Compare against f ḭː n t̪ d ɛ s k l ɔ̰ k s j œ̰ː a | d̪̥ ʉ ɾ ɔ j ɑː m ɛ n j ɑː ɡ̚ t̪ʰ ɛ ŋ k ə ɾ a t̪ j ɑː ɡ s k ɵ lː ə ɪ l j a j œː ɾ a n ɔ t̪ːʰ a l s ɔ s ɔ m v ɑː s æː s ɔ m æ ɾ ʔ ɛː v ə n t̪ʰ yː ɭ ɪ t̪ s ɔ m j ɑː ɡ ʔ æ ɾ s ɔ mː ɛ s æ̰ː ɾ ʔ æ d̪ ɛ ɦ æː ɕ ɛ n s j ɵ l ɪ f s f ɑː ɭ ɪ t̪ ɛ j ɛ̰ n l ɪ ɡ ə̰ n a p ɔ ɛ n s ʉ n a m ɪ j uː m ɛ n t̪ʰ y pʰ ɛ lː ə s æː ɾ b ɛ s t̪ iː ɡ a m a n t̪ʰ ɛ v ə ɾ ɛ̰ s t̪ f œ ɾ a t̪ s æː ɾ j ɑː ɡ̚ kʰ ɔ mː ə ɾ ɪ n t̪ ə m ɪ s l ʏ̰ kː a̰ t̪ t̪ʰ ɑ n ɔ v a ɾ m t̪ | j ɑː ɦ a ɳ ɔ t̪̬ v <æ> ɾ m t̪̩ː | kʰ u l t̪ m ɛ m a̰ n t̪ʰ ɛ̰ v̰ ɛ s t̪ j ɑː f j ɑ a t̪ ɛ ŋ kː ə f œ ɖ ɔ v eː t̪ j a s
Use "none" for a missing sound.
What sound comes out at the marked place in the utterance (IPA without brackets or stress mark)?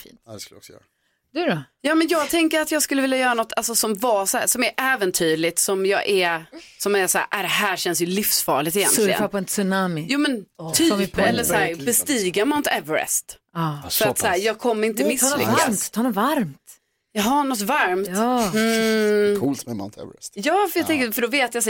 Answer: a